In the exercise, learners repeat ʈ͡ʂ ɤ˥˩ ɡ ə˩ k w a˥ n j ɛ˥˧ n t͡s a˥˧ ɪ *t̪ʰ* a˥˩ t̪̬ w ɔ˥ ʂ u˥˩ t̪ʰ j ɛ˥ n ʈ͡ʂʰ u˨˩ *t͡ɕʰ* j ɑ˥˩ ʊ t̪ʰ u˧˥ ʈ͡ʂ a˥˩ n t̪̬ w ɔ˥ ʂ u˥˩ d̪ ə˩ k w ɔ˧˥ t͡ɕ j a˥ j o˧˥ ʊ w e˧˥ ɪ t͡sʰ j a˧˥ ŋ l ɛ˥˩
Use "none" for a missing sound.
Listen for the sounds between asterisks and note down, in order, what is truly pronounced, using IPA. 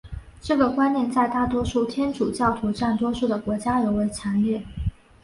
t̪, t͡ɕ

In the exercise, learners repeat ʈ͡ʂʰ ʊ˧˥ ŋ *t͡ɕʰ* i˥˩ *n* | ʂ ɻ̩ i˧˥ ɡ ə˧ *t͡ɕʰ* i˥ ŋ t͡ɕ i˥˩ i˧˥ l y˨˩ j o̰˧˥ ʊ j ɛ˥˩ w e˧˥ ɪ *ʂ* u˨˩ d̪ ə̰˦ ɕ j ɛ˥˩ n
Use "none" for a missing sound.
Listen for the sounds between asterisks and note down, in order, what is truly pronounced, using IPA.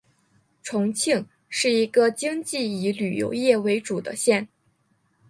t͡ɕʰ, ŋ, t͡ɕ, ʈ͡ʂ

